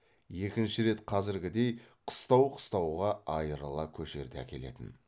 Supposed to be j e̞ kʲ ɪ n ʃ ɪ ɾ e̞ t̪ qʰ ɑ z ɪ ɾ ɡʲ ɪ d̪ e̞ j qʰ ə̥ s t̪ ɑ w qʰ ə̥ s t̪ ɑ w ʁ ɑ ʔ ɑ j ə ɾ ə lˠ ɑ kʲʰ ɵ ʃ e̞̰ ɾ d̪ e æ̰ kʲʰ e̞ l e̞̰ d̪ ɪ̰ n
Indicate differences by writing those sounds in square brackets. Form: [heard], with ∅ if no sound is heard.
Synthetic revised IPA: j e̞ kʲ ɪ n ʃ ɪ ɾ e̞ t̪ qʰ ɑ z ɪ ɾ ɡʲ ɪ d̪ e̞ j qʰ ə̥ s t̪ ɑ w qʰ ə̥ s t̪ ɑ w ʁ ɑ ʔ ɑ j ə ɾ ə lˠ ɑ kʲʰ ɵ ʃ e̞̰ ɾ d̪ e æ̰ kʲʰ e̞ l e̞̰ [t̪] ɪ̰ n